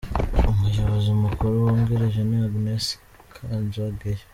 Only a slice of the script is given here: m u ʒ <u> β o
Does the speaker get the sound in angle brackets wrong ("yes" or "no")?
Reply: yes